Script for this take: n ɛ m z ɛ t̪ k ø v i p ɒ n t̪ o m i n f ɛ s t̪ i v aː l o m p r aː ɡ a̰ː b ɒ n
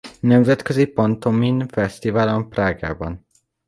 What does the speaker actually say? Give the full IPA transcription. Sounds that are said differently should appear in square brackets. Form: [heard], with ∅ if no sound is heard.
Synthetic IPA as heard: n ɛ m z ɛ t̪ k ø [z] i p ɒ n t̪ o m i n f ɛ s t̪ i v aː l o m p r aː ɡ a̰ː b ɒ n